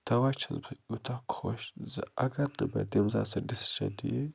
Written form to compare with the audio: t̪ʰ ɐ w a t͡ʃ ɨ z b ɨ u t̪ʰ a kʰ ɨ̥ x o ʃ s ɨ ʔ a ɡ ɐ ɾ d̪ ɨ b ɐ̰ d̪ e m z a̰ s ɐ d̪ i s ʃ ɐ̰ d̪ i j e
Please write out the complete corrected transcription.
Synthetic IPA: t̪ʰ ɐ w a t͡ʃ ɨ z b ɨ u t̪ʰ a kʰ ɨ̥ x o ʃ z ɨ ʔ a ɡ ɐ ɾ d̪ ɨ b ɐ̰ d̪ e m z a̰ s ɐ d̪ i s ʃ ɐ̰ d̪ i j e